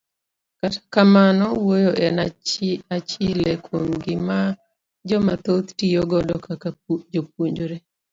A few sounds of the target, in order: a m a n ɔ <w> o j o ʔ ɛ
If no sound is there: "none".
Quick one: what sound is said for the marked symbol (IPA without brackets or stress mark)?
w